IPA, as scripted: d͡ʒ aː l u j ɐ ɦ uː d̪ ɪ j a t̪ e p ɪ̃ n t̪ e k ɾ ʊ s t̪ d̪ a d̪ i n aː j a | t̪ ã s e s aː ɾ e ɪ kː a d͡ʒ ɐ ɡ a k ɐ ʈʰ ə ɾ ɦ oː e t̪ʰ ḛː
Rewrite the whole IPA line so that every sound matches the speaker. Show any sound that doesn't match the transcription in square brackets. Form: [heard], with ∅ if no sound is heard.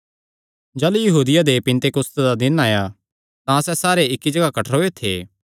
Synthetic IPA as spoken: d͡ʒ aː l u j ɐ ɦ uː d̪ ɪ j a [d̪] e p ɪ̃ n t̪ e k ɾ ʊ s t̪ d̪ a d̪ [ɪ] n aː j a | t̪ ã s [ɛ] s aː ɾ e ɪ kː [i] d͡ʒ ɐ ɡ a k ɐ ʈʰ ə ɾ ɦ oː e t̪ʰ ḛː